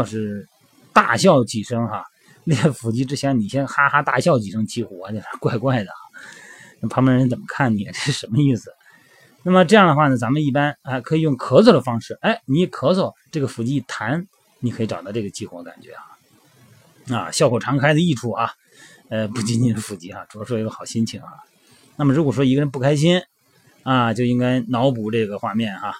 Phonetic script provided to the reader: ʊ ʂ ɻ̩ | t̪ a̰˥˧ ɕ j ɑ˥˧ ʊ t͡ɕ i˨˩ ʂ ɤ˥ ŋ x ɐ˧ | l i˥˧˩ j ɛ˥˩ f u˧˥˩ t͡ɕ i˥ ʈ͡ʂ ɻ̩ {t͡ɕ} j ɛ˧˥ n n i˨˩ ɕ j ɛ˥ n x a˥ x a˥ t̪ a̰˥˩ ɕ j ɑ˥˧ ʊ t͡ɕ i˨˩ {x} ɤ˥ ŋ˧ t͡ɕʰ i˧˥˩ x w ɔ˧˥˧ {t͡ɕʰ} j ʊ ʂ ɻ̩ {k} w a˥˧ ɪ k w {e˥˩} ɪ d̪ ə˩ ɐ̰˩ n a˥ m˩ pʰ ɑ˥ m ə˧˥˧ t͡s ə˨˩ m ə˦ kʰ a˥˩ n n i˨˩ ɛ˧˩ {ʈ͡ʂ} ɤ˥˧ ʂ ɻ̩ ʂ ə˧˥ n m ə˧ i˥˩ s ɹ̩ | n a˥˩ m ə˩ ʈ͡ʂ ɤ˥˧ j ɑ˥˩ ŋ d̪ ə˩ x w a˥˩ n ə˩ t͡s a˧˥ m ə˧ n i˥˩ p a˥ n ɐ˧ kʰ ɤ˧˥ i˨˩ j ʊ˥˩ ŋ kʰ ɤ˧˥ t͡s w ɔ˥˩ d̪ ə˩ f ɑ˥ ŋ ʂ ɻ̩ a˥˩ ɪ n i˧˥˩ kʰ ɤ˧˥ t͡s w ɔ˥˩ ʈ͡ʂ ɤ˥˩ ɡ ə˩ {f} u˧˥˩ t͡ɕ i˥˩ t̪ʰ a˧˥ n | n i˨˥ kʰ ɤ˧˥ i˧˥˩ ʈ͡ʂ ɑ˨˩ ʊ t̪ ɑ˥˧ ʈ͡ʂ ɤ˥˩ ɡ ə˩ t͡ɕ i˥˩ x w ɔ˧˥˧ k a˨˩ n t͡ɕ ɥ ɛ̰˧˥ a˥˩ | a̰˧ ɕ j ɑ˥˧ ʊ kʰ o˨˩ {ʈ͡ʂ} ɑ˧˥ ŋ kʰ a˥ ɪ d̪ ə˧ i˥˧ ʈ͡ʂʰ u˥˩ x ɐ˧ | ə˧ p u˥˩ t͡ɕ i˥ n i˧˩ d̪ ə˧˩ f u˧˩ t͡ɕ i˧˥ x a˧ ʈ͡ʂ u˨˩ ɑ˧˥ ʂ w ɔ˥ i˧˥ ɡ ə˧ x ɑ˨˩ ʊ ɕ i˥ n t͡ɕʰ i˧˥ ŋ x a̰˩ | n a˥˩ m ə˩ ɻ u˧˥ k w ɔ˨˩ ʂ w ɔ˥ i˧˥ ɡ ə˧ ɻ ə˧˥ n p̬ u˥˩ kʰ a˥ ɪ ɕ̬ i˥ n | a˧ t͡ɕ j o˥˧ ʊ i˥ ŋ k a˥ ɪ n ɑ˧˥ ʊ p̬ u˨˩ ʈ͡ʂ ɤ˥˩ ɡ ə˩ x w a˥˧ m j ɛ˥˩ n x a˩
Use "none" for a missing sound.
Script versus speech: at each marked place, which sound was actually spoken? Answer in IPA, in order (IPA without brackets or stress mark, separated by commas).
t͡ɕʰ, ʂ, t͡ɕ, k, a˥˩, ʈ͡ʂ, f, ʈ͡ʂʰ